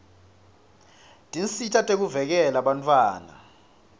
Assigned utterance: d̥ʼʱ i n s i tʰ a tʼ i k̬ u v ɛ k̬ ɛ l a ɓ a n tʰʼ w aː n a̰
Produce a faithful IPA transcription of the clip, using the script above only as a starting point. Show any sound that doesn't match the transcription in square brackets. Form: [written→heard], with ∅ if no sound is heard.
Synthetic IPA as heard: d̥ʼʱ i n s i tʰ a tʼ [i→e] k̬ u v ɛ k̬ ɛ l a ɓ a n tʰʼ w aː n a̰